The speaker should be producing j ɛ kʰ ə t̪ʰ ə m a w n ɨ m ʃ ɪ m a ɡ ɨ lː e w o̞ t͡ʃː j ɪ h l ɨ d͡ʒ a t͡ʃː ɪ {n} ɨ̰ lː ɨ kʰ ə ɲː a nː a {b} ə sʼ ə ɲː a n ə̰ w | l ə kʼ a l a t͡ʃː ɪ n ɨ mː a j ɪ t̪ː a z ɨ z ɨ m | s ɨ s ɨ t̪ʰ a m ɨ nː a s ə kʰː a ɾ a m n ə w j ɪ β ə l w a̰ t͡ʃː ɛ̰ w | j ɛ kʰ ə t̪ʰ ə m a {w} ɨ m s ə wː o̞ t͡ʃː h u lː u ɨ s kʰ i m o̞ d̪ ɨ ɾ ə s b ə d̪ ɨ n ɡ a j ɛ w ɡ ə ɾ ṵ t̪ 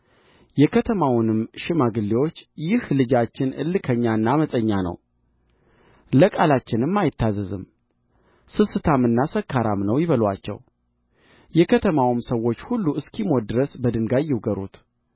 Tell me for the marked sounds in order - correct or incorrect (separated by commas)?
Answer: correct, incorrect, correct